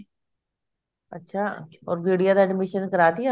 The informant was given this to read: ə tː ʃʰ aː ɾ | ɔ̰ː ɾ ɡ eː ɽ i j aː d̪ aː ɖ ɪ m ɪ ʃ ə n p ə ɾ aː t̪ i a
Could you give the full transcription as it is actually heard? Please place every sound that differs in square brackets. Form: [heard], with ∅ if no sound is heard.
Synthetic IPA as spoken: ə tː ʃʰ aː [∅] | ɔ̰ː ɾ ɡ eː ɽ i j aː d̪ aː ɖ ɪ m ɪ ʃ ə n [k] ə ɾ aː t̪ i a